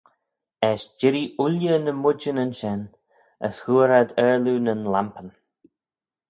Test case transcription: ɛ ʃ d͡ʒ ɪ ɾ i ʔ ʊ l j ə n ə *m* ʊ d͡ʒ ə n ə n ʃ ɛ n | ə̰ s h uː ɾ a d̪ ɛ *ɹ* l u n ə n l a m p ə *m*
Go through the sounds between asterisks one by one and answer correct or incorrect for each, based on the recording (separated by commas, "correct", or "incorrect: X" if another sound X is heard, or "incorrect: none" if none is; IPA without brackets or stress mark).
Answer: correct, correct, incorrect: n